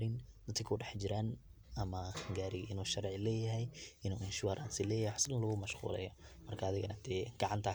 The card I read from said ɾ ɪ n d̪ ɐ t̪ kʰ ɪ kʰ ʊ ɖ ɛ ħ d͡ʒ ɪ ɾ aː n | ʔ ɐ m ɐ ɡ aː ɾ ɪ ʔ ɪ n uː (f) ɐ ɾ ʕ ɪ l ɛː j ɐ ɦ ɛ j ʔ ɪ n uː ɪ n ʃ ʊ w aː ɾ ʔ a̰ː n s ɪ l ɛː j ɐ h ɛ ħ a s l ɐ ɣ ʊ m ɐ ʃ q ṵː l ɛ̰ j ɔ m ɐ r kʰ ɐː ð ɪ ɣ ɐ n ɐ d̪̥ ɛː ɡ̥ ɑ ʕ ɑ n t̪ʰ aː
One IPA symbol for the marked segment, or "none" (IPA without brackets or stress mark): ʃ